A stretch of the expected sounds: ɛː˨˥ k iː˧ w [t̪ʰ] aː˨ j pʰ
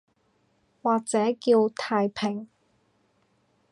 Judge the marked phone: correct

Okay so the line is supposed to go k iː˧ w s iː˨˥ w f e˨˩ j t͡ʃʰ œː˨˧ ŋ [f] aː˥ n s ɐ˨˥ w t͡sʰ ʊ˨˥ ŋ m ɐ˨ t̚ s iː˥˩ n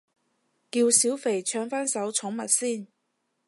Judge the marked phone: correct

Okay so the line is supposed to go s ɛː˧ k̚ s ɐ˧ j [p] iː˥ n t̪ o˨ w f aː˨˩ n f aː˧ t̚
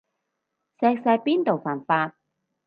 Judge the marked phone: correct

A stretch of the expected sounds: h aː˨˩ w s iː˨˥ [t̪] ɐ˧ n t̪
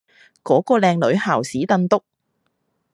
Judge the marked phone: correct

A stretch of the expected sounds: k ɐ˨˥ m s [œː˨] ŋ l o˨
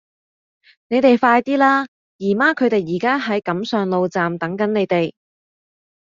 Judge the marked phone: correct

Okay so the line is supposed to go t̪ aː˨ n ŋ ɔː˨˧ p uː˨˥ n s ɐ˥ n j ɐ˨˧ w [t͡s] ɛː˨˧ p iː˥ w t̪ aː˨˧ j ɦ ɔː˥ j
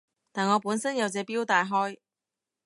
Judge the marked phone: correct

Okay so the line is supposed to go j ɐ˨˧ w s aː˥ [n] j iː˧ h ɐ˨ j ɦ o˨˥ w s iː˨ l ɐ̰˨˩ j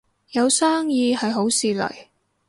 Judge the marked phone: incorrect: ŋ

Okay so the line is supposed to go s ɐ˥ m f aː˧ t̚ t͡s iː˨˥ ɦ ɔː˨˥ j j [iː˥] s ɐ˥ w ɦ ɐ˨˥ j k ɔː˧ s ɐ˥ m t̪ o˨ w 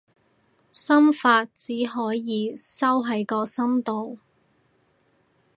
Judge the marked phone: incorrect: iː˨˧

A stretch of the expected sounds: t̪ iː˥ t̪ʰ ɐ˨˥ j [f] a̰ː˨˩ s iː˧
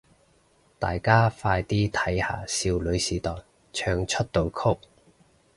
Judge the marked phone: incorrect: h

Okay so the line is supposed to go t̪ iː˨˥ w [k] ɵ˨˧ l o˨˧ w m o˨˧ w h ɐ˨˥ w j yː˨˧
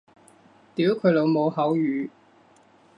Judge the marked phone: incorrect: kʰ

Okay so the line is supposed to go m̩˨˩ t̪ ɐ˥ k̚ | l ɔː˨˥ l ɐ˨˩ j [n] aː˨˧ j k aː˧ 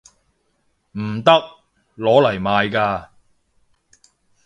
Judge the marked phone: incorrect: m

